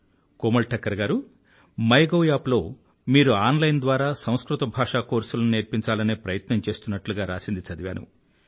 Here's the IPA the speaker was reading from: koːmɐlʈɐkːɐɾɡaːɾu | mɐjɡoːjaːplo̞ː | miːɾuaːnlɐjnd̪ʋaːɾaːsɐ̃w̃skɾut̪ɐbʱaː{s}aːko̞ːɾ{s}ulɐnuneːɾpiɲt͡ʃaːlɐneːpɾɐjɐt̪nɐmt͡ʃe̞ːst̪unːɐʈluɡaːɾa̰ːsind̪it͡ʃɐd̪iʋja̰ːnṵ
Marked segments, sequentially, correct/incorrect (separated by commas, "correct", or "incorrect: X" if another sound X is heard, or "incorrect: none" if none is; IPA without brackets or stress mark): incorrect: ʂ, correct